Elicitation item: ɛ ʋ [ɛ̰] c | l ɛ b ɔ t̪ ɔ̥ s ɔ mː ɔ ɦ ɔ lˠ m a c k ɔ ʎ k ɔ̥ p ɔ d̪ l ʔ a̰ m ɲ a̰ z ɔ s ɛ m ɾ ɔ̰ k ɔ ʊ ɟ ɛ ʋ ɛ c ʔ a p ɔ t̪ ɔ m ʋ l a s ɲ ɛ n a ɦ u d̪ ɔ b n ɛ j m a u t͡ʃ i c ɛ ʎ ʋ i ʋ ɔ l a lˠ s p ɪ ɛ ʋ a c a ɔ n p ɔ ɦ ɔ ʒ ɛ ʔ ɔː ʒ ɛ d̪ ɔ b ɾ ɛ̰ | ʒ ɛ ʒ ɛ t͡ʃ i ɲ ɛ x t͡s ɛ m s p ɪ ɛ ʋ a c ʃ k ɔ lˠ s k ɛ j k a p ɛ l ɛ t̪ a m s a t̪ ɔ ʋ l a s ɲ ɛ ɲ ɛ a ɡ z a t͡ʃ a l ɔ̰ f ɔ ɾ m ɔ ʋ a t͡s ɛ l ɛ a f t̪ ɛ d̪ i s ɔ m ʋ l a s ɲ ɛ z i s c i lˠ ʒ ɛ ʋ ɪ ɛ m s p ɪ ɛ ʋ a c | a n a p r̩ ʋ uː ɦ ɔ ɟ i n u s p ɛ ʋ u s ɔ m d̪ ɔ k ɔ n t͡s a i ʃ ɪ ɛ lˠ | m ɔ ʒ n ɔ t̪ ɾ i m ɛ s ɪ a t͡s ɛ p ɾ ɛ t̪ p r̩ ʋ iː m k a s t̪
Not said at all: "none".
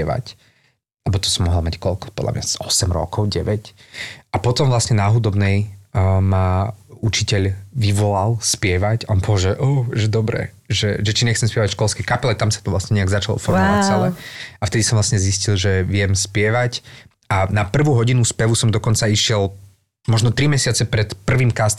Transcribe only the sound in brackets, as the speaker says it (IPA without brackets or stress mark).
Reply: a̰